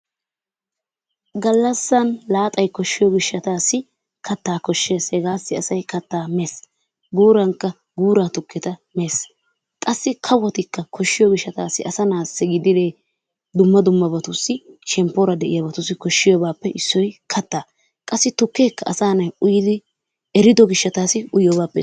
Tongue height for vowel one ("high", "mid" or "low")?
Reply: low